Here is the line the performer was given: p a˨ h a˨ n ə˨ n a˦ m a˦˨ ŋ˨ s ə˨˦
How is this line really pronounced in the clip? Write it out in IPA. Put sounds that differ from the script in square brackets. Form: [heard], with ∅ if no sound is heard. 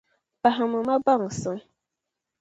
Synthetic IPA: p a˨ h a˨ [m] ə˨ [m] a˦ [b] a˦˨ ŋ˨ s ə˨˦